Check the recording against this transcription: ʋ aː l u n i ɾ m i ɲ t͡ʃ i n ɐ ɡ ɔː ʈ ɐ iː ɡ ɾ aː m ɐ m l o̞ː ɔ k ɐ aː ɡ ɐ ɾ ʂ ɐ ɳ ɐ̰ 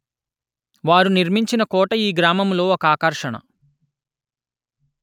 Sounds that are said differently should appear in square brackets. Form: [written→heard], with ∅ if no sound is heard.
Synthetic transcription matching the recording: ʋ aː [l→ɾ] u n i ɾ m i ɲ t͡ʃ i n ɐ [ɡ→k] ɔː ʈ ɐ iː ɡ ɾ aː m ɐ m l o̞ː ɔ k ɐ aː [ɡ→k] ɐ ɾ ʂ ɐ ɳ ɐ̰